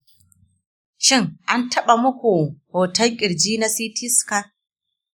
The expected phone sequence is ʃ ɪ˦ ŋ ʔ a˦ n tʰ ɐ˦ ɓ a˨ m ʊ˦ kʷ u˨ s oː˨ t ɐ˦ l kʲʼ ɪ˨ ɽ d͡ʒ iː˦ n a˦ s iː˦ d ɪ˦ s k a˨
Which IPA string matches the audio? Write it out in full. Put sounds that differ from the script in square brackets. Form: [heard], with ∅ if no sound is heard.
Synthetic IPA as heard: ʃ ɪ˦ ŋ ʔ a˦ n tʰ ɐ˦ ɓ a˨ m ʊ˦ kʷ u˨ [h] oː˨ t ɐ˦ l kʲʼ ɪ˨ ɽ d͡ʒ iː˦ n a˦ s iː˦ [t] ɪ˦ s k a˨